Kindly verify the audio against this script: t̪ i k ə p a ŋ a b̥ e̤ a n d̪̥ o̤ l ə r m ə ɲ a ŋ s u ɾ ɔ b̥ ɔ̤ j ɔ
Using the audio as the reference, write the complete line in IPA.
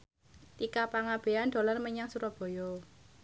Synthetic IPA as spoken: t̪ i k a p a ŋ a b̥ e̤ a n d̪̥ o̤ l a r m ə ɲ a ŋ s u ɾ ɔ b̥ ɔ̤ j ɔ